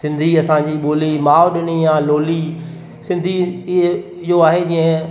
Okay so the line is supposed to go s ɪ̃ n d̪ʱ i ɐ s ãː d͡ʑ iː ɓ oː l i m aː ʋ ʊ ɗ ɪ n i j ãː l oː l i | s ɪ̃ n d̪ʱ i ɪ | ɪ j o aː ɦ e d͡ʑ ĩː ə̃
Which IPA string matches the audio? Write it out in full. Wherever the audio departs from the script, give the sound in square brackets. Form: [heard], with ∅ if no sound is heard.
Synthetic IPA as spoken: s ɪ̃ n d̪ʱ i ɐ s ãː d͡ʑ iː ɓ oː l i m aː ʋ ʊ ɗ ɪ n i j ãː l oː l i | s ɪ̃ n d̪ʱ i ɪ | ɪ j o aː ɦ e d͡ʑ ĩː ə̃

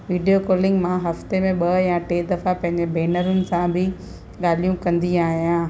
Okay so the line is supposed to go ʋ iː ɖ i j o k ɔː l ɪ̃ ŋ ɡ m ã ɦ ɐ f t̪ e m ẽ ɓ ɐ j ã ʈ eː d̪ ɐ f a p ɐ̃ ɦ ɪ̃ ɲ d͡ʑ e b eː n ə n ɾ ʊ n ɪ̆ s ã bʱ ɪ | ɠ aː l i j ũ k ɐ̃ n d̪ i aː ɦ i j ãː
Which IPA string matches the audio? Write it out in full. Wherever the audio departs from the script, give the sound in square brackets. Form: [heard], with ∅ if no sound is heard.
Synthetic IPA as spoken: ʋ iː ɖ i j o k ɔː l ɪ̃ ŋ ɡ m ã ɦ ɐ f t̪ e m ẽ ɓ ɐ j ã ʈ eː d̪ ɐ f a p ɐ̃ ɦ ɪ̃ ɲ d͡ʑ e b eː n ə [∅] ɾ ʊ n ɪ̆ s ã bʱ ɪ | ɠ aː l i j ũ k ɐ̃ n d̪ i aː ɦ i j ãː

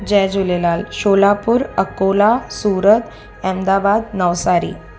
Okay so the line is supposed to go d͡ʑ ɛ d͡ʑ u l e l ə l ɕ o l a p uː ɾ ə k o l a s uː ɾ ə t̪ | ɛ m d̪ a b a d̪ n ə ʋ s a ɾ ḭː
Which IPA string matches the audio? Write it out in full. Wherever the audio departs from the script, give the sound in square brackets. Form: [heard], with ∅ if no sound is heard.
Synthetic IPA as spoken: d͡ʑ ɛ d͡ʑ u l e l [a] l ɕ o l a p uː ɾ ə k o l a s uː ɾ ə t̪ | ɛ m d̪ a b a d̪ n ə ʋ s a ɾ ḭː

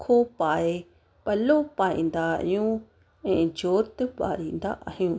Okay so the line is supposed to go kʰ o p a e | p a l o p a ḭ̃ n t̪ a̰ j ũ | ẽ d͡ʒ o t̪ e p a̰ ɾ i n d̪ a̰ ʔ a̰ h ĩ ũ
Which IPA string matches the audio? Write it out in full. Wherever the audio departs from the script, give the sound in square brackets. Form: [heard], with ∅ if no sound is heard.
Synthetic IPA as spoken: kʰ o p a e | p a l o p a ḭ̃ n [d̪] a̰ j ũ | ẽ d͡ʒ o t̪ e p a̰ ɾ i n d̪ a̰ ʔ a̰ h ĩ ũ

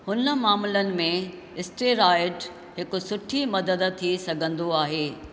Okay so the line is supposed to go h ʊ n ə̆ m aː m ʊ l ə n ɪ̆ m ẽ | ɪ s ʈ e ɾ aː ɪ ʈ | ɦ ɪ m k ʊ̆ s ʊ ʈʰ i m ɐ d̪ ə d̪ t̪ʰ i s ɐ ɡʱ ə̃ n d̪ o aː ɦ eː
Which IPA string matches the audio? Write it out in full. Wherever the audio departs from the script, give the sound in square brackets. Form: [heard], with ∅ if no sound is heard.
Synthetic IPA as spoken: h ʊ n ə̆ m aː m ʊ l ə n ɪ̆ m ẽ | ɪ s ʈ e ɾ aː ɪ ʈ | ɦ ɪ [∅] k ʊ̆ s ʊ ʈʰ i m ɐ d̪ ə d̪ t̪ʰ i s ɐ ɡʱ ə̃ n d̪ o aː ɦ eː

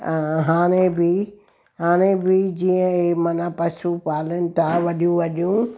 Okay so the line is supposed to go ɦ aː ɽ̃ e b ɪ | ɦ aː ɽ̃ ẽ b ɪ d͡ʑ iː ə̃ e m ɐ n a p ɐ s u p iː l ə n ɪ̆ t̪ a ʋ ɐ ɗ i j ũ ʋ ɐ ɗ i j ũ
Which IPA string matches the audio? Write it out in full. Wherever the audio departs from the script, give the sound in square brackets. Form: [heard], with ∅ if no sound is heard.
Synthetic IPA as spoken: ɦ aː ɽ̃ e b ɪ | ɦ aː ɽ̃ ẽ b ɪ d͡ʑ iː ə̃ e m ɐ n a p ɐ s u p [aː] l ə n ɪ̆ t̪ a ʋ ɐ ɗ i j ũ ʋ ɐ ɗ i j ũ

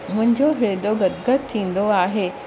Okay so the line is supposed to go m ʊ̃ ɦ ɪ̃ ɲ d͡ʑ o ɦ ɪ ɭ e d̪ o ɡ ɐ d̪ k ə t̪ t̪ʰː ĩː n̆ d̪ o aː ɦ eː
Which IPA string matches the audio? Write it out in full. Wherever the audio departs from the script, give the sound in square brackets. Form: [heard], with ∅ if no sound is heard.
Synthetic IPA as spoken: m ʊ̃ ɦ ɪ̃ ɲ d͡ʑ o ɦ ɪ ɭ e d̪ o ɡ ɐ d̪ [ɡ] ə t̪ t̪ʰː ĩː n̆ d̪ o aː ɦ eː

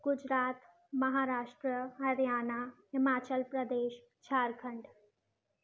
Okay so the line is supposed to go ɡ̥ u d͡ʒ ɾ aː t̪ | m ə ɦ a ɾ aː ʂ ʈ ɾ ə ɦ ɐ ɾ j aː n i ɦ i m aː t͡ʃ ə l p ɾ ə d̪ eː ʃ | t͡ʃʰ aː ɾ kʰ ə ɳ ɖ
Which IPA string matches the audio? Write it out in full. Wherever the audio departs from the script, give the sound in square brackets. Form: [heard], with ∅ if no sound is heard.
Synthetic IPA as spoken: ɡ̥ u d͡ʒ ɾ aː t̪ | m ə ɦ a ɾ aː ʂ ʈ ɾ ə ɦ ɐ ɾ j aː n [a] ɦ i m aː t͡ʃ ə l p ɾ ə d̪ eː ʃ | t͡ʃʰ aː ɾ kʰ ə ɳ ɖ

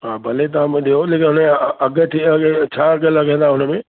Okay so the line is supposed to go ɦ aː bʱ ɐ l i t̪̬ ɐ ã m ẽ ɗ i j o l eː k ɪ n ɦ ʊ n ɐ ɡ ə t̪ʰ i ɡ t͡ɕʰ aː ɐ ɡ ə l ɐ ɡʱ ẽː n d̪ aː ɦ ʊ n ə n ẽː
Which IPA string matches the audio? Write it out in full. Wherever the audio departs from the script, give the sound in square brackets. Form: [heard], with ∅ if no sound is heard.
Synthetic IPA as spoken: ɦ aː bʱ ɐ l [e] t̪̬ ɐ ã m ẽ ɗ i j o l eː k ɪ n ɦ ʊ n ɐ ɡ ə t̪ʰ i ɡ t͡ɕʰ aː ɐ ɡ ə l ɐ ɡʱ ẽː n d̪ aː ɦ ʊ n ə [m] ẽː

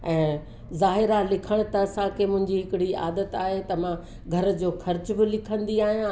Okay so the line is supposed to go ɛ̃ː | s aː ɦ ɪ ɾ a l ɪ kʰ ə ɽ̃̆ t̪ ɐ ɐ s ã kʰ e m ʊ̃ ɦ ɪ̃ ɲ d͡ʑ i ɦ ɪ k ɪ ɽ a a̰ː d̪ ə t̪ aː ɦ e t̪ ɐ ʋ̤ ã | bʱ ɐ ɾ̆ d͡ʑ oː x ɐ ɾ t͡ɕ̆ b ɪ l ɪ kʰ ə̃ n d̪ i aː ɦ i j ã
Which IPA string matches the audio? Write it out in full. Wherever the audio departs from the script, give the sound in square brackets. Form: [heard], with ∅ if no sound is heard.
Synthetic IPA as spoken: ɛ̃ː | [z] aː ɦ ɪ ɾ a l ɪ kʰ ə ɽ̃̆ t̪ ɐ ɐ s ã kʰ e m ʊ̃ ɦ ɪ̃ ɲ d͡ʑ i ɦ ɪ k ɪ ɽ [i] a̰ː d̪ ə t̪ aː ɦ e t̪ ɐ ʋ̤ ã | [ɡʱ] ɐ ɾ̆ d͡ʑ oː x ɐ ɾ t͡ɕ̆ b ɪ l ɪ kʰ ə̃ n d̪ i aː ɦ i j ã

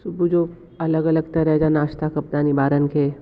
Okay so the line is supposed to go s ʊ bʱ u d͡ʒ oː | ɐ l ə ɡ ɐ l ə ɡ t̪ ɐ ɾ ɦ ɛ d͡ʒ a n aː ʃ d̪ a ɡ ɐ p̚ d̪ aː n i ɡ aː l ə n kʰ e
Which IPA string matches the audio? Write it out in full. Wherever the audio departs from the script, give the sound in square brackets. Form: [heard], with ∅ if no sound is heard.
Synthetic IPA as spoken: s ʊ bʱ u d͡ʒ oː | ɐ l ə ɡ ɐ l ə ɡ t̪ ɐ ɾ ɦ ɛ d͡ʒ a n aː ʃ [t̪] a [k] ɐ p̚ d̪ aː n i [b] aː [ɾ] ə n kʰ e

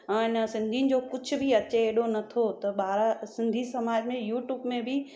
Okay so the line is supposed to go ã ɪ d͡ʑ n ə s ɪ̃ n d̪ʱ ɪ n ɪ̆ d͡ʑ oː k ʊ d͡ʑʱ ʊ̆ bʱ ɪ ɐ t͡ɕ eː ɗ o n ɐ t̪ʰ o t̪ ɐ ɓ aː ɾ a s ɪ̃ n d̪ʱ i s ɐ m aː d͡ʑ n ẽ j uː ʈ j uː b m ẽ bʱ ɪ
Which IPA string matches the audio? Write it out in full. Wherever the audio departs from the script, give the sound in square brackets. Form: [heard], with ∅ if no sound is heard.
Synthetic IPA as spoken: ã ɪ [∅] n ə s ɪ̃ n d̪ʱ [i] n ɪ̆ d͡ʑ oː k ʊ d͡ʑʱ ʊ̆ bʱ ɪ ɐ t͡ɕ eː ɗ o n ɐ t̪ʰ o t̪ ɐ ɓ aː ɾ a s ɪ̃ n d̪ʱ i s ɐ m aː d͡ʑ [m] ẽ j uː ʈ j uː b m ẽ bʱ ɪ

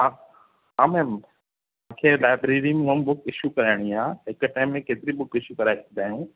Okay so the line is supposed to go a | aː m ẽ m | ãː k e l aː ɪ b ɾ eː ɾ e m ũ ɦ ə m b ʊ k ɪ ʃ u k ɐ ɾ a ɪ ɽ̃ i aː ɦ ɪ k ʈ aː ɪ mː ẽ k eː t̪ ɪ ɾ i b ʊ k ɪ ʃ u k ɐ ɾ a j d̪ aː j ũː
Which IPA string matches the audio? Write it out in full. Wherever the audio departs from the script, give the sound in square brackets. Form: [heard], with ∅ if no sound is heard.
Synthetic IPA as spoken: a | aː m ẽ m | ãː [kʰ] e l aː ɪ b ɾ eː ɾ [i] m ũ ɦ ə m b ʊ k ɪ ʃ u k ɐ ɾ a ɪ ɽ̃ i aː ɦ ɪ k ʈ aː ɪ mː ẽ k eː t̪ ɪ ɾ i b ʊ k ɪ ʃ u k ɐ ɾ a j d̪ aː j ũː

